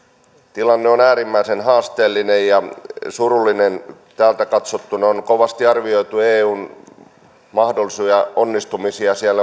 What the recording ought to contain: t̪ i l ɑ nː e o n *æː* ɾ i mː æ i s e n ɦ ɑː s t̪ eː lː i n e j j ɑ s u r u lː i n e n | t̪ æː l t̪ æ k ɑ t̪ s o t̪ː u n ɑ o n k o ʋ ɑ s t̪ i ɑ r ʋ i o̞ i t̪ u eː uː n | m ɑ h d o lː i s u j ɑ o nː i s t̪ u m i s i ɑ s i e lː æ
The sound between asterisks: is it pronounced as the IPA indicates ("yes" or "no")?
yes